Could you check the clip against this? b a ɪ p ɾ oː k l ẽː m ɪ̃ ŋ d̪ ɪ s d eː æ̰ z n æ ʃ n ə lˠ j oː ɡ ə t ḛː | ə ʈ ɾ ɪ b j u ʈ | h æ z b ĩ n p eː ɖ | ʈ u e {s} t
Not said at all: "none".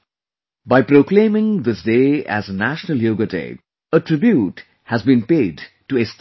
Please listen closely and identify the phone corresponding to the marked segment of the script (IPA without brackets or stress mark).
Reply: s